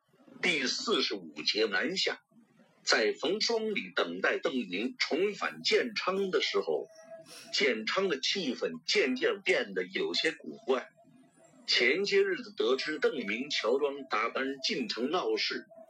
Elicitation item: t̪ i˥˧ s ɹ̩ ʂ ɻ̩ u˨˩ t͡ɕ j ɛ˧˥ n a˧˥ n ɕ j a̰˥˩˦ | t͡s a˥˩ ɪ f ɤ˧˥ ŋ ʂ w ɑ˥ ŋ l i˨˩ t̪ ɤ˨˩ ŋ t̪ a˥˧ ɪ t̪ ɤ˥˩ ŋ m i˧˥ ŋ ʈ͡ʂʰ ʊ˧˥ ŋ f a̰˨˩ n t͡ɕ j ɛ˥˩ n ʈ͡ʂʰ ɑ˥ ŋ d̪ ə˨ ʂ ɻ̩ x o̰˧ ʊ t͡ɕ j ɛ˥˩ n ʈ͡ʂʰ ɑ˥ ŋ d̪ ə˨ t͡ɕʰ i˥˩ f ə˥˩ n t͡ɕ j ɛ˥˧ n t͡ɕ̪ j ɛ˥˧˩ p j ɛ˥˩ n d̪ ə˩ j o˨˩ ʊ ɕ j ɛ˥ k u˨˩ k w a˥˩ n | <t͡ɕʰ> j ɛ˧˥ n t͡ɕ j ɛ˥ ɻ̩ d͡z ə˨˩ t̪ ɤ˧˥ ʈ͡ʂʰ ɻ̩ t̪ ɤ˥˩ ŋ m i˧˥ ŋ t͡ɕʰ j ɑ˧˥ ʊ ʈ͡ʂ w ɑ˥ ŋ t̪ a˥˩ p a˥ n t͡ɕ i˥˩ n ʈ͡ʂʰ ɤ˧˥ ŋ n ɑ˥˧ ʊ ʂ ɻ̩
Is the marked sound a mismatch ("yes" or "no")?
no